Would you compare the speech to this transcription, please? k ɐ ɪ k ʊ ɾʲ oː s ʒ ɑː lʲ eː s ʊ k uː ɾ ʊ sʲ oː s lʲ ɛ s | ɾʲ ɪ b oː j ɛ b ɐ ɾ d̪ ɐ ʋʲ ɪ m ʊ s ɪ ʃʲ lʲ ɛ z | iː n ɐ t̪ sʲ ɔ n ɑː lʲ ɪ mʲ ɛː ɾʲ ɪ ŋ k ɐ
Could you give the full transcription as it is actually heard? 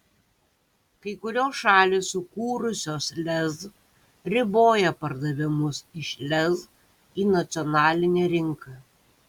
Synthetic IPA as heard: k ɐ ɪ k ʊ ɾʲ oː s ʃ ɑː lʲ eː s ʊ k uː ɾ ʊ sʲ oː s lʲ ɛ z | ɾʲ ɪ b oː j ɛ p ɐ ɾ d̪ ɐ ʋʲ ɪ m ʊ s ɪ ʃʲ lʲ ɛ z | iː n ɐ t̪ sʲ ɔ n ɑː lʲ ɪ nʲ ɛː ɾʲ ɪ ŋ k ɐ

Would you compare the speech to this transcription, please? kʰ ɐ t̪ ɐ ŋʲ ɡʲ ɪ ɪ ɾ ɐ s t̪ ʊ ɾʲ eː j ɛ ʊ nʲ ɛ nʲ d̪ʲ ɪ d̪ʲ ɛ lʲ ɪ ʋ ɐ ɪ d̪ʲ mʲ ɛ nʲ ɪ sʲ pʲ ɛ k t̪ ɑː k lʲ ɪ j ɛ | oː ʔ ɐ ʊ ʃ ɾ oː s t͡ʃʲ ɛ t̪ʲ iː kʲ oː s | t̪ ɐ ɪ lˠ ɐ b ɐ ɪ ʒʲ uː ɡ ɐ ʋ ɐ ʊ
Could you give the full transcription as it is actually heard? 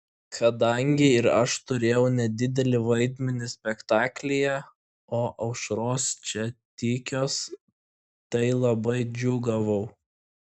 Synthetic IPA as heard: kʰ ɐ d̪ ɐ ŋʲ ɡʲ ɪ ɪ ɾ ɐ ʃ t̪ ʊ ɾʲ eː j ɛ ʊ nʲ ɛ d̪ʲ ɪ d̪ʲ ɛ lʲ ɪ ʋ ɐ ɪ d̪ʲ mʲ ɛ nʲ ɪ sʲ pʲ ɛ k t̪ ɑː k lʲ ɪ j ɛ | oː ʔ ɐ ʊ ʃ ɾ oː s t͡ʃʲ ɛ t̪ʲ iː kʲ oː s | t̪ ɐ ɪ lˠ ɐ b ɐ ɪ d͡ʒʲ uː ɡ ɐ ʋ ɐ ʊ

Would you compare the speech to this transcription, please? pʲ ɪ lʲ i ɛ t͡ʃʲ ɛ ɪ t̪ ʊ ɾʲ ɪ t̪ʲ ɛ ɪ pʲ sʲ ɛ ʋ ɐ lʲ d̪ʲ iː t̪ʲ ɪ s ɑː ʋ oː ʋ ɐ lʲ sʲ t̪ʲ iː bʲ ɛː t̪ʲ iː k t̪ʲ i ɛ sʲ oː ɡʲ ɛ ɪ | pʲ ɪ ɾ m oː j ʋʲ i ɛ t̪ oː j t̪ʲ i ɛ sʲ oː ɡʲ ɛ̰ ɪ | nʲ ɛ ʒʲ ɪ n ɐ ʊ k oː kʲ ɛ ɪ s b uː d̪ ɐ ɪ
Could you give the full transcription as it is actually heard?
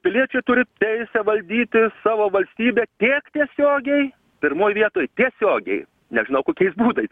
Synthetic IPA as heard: pʲ ɪ lʲ i ɛ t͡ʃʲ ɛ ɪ t̪ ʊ ɾʲ ɪ t̪ʲ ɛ ɪ sʲ ɛ ʋ ɐ lʲ d̪ʲ iː t̪ʲ ɪ s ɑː ʋ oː ʋ ɐ lʲ sʲ t̪ʲ iː bʲ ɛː t̪ʲ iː k t̪ʲ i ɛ sʲ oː ɡʲ ɛ ɪ | pʲ ɪ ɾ m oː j ʋʲ i ɛ t̪ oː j t̪ʲ i ɛ sʲ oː ɡʲ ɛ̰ ɪ | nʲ ɛ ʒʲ ɪ n ɐ ʊ k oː kʲ ɛ ɪ s b uː d̪ ɐ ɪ

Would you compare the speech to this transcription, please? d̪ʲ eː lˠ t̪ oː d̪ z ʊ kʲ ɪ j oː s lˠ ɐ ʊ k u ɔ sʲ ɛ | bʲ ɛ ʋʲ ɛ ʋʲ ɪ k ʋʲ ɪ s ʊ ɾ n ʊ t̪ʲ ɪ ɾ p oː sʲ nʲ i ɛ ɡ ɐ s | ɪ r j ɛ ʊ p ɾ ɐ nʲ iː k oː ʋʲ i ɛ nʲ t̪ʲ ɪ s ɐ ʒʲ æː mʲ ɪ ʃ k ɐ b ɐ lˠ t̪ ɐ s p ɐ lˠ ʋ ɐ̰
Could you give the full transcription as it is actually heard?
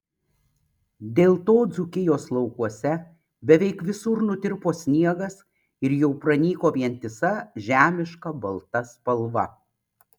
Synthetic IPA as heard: d̪ʲ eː lˠ t̪ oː d̪ z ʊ kʲ ɪ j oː s lˠ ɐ ʊ k u ɔ sʲ ɛ | bʲ ɛ ʋʲ ɛ ɪ k ʋʲ ɪ s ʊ ɾ n ʊ t̪ʲ ɪ ɾ p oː sʲ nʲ i ɛ ɡ ɐ s | ɪ ɾ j ɛ ʊ p ɾ ɐ nʲ iː k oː ʋʲ i ɛ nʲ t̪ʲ ɪ s ɐ ʒʲ æː mʲ ɪ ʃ k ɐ b ɐ lˠ t̪ ɐ s p ɐ lˠ ʋ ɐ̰

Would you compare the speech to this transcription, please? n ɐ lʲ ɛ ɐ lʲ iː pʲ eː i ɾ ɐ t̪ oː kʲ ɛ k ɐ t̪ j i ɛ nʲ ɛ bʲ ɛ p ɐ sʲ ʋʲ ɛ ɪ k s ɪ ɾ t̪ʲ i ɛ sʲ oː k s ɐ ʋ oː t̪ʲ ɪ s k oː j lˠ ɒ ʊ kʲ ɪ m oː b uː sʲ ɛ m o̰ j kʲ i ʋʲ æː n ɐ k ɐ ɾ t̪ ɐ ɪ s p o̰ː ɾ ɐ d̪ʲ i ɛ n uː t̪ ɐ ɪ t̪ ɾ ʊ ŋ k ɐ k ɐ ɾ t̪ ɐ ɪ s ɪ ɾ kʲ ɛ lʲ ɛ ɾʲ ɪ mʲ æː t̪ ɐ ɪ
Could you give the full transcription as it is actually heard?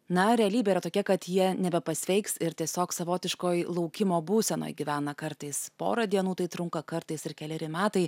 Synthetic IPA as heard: n ɐ ɾʲ ɛ ɐ lʲ iː bʲ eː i ɾ ɐ t̪ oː kʲ ɛ k ɐ t̪ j i ɛ nʲ ɛ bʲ ɛ p ɐ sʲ ʋʲ ɛ ɪ k s ɪ ɾ t̪ʲ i ɛ sʲ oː k s ɐ ʋ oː t̪ʲ ɪ ʃ k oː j lˠ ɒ ʊ kʲ ɪ m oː b uː sʲ ɛ n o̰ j ɡʲ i ʋʲ æː n ɐ k ɐ ɾ t̪ ɐ ɪ s p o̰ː ɾ ɐ d̪ʲ i ɛ n uː t̪ ɐ ɪ t̪ ɾ ʊ ŋ k ɐ k ɐ ɾ t̪ ɐ ɪ s ɪ ɾ kʲ ɛ lʲ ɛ ɾʲ ɪ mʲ æː t̪ ɐ ɪ

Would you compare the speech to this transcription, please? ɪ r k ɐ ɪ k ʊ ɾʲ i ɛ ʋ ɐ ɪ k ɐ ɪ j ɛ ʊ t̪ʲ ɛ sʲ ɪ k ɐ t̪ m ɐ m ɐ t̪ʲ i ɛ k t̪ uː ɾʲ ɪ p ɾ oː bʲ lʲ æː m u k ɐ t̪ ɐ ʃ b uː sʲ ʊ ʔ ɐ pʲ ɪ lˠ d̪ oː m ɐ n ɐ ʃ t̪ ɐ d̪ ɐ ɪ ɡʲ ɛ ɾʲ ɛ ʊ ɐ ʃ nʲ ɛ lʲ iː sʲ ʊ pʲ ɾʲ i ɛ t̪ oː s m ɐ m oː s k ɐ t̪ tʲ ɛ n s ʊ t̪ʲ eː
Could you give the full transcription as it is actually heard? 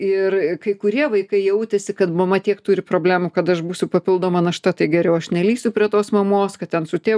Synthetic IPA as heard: ɪ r k ɐ ɪ k ʊ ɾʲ i ɛ ʋ ɐ ɪ k ɐ ɪ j ɛ ʊ t̪ʲ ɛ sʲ ɪ k ɐ t̪ m ɐ m ɐ t̪ʲ i ɛ k t̪ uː ɾʲ ɪ p ɾ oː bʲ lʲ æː m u k ɐ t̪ ɐ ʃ b uː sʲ ʊ p ɐ pʲ ɪ lˠ d̪ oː m ɐ n ɐ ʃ t̪ ɐ t̪ ɐ ɪ ɡʲ ɛ ɾʲ ɛ ʊ ɐ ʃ nʲ ɛ lʲ iː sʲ ʊ pʲ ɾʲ i ɛ t̪ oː s m ɐ m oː s k ɐ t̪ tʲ ɛ n s ʊ t̪ʲ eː

